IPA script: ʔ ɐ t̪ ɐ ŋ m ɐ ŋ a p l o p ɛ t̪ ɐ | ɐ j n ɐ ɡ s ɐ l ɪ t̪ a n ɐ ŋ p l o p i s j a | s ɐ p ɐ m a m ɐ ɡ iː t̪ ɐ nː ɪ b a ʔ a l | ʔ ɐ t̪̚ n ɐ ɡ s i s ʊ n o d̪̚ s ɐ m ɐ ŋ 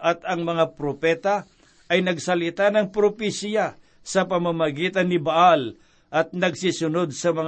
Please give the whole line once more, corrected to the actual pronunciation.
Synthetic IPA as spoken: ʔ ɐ t̪ ɐ ŋ m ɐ ŋ a p ɾ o p ɛ t̪ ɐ | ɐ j n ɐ ɡ s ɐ l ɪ t̪ a n ɐ ŋ p ɾ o p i s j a | s ɐ p ɐ m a m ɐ ɡ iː t̪ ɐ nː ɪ b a ʔ a l | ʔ ɐ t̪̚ n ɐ ɡ s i s ʊ n o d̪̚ s ɐ m ɐ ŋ